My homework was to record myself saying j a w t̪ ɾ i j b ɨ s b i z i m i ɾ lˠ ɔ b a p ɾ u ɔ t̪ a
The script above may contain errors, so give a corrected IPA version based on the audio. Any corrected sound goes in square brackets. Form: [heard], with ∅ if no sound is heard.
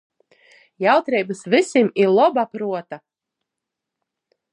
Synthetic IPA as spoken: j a w t̪ ɾ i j b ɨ s [v] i [s] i m i ɾ lˠ ɔ b a p ɾ u ɔ t̪ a